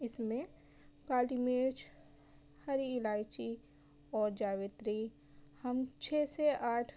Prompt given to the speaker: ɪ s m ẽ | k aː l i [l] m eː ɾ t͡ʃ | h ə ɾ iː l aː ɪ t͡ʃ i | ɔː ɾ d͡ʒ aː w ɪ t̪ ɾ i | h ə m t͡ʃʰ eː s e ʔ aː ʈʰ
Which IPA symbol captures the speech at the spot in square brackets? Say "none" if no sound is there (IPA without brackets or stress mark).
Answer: none